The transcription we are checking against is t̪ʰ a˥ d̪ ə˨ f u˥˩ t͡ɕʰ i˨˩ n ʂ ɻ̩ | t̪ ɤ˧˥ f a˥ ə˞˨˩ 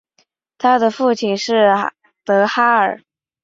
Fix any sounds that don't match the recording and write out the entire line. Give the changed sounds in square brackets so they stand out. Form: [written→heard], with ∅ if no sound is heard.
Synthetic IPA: t̪ʰ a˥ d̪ ə˨ f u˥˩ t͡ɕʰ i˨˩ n ʂ ɻ̩ | t̪ ɤ˧˥ [f→x] a˥ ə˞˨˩